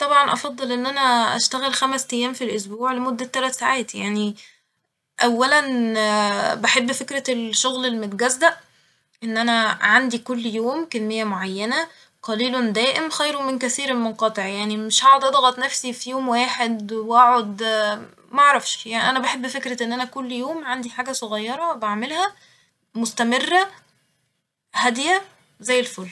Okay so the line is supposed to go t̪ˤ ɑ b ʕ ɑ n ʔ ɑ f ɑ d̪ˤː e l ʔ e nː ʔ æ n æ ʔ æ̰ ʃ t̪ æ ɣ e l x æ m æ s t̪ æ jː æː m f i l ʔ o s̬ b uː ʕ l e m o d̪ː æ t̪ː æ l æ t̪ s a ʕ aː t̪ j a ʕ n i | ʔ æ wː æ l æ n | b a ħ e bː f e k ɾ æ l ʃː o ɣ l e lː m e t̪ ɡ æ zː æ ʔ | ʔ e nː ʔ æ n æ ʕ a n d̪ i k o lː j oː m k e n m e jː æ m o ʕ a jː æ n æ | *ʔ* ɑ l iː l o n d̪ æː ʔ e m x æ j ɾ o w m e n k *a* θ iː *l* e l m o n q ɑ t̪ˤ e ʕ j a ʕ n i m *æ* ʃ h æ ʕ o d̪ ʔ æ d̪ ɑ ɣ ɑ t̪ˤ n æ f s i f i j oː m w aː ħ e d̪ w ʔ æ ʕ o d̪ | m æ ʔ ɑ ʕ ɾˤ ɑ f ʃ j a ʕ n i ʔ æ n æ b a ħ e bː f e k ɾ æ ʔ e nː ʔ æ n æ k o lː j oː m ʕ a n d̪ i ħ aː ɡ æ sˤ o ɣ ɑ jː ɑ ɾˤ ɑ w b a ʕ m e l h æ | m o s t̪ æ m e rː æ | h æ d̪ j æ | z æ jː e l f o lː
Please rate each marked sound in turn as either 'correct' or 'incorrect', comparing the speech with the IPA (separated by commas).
incorrect, incorrect, incorrect, incorrect